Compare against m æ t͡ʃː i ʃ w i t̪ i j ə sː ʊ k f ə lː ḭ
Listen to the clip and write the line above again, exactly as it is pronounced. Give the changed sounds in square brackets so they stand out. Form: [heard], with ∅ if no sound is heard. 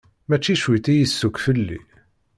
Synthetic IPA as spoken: m æ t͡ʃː i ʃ w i t̪ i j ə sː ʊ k f ə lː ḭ